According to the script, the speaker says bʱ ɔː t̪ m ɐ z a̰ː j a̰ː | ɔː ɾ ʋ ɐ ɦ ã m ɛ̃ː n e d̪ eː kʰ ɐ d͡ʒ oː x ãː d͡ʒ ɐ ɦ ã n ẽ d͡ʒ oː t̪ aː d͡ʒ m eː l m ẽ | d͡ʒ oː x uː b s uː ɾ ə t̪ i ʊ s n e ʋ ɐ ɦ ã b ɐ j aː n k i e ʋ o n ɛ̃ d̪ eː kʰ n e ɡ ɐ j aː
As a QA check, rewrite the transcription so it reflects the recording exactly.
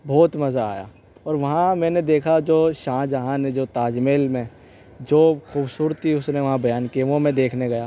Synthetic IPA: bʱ ɔː t̪ m ɐ z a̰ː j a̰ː | ɔː ɾ ʋ ɐ ɦ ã m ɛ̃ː n e d̪ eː kʰ a d͡ʒ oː ʃ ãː d͡ʒ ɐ ɦ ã n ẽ d͡ʒ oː t̪ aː d͡ʒ m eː l m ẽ | d͡ʒ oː x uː b s uː ɾ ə t̪ i ʊ s n e ʋ ɐ ɦ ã b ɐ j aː n k i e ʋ o m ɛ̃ d̪ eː kʰ n e ɡ ɐ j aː